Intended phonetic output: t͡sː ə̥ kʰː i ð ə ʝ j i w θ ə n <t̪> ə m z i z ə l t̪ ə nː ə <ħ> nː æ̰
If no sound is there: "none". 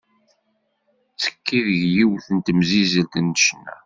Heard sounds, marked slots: t̪, ʃ

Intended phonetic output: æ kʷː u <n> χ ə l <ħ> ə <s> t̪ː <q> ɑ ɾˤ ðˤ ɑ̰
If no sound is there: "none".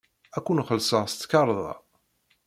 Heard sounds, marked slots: n, s, s, k

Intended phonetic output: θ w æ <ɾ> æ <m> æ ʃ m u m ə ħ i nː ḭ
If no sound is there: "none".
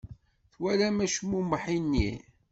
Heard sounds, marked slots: l, m

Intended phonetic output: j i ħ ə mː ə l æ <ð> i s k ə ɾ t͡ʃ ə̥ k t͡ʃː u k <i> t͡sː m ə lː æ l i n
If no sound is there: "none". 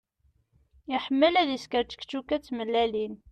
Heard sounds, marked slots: ð, æ

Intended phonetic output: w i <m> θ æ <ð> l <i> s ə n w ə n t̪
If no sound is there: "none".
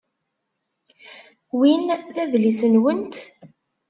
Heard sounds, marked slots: n, ð, i

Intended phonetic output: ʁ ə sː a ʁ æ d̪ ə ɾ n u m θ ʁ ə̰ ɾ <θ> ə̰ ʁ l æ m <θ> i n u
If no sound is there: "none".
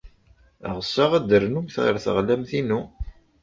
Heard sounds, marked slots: θ, θ

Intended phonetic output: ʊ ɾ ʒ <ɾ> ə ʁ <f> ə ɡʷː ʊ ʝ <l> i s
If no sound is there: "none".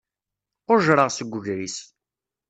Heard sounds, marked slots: ɾ, s, ɾ

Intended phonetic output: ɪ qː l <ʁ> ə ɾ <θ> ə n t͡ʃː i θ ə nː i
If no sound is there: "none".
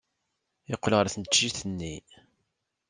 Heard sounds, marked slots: ʁ, θ

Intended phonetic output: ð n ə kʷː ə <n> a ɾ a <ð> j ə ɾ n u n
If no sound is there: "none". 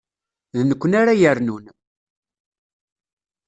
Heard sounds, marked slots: n, none

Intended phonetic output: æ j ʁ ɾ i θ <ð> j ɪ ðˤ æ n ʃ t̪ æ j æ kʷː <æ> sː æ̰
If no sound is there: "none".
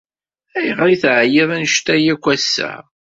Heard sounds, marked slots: ʕ, æ

